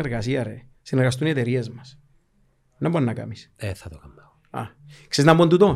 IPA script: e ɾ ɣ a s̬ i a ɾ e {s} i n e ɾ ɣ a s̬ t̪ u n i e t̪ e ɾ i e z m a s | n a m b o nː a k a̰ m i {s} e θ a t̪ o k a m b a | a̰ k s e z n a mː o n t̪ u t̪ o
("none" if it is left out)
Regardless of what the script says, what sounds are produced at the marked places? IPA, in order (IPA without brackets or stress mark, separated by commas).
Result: s, s